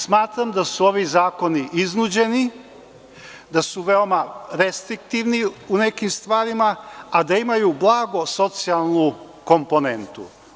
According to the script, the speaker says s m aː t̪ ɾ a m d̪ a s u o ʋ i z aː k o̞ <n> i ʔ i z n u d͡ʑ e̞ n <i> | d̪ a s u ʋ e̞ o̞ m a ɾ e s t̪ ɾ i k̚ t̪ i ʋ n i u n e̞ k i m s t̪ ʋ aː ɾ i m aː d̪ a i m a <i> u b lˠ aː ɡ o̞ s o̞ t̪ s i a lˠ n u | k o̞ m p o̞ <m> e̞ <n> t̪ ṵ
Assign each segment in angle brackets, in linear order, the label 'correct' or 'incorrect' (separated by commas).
correct, correct, incorrect, incorrect, correct